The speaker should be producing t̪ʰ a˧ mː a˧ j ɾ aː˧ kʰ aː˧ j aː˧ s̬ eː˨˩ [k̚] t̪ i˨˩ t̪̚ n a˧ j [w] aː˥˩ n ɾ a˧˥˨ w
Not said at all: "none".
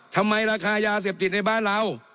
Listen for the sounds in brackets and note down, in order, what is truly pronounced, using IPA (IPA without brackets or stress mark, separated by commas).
p̚, b